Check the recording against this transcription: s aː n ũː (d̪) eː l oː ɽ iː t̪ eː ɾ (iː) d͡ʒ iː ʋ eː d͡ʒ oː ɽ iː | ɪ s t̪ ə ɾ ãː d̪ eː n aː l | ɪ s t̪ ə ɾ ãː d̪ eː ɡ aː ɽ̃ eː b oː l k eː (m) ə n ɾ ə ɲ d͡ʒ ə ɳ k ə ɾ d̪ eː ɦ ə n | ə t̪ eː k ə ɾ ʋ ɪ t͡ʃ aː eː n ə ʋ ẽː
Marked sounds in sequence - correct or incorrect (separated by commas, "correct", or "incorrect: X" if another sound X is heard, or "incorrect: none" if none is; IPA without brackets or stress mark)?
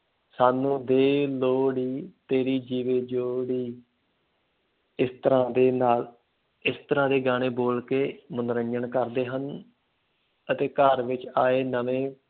correct, correct, correct